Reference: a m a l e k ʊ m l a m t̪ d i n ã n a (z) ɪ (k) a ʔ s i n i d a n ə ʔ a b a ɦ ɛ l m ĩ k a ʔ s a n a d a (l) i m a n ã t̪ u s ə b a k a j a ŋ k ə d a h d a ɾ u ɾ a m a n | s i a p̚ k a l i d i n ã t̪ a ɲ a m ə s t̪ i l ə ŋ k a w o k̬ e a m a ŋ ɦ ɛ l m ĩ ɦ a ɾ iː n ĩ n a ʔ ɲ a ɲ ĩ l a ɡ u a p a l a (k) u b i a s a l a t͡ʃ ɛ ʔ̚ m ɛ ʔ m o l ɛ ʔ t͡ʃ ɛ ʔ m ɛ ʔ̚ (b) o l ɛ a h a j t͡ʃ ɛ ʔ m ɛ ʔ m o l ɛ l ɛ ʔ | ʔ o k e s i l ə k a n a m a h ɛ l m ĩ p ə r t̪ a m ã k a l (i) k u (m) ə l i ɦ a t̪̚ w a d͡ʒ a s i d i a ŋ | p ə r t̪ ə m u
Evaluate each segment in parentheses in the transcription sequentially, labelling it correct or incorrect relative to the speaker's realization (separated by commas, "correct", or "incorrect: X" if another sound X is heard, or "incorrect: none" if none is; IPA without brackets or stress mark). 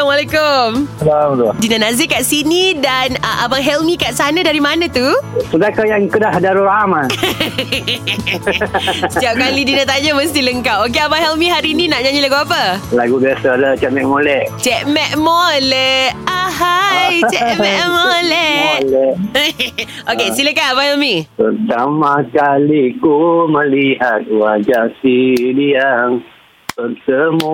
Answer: correct, correct, incorrect: ɾ, incorrect: ɡ, incorrect: m, correct, correct